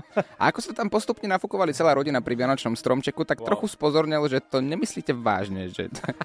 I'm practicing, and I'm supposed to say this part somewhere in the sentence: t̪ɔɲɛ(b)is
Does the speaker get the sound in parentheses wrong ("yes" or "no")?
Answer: yes